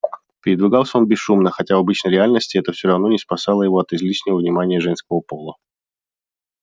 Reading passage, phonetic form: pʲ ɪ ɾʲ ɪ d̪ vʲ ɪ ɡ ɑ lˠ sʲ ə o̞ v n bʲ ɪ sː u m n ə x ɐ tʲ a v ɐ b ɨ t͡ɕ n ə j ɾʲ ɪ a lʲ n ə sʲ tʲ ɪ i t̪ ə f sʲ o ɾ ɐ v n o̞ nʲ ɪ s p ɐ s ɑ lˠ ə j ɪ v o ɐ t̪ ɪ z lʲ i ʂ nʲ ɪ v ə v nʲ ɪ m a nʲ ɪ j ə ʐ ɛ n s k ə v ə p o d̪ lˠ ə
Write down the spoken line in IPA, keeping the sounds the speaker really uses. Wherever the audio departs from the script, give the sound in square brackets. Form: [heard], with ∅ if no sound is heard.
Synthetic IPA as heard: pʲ ɪ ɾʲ ɪ d̪ vʲ ɪ ɡ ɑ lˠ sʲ ə o̞ [∅] n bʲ ɪ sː u m n ə x ɐ tʲ a v ɐ b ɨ t͡ɕ n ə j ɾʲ ɪ a lʲ n ə sʲ tʲ ɪ [ɛ] t̪ ə f sʲ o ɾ ɐ v n o̞ nʲ ɪ s p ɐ s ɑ lˠ ə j ɪ v o ɐ t̪ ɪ z lʲ i ʂ nʲ ɪ v ə v nʲ ɪ m a nʲ ɪ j ə ʐ ɛ n s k ə v ə p o [∅] lˠ ə